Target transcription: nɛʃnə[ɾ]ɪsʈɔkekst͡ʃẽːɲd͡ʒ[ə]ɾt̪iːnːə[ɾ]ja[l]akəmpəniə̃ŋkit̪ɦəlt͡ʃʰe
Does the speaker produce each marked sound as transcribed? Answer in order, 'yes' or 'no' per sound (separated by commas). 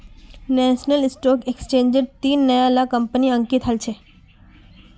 no, yes, no, yes